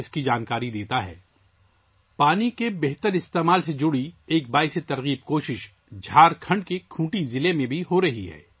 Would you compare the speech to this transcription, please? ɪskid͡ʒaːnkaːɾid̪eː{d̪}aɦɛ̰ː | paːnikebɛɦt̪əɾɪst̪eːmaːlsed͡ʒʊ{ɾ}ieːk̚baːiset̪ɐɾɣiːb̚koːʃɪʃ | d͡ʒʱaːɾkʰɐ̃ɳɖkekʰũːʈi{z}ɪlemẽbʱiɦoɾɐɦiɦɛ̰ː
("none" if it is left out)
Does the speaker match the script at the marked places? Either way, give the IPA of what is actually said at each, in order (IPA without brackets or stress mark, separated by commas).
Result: t̪, ɽ, z